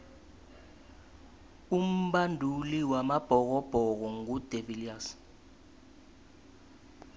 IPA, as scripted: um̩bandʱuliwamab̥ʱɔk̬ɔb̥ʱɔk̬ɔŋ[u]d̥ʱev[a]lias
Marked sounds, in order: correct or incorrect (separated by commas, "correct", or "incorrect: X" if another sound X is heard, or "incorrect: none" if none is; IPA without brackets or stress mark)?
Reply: correct, incorrect: i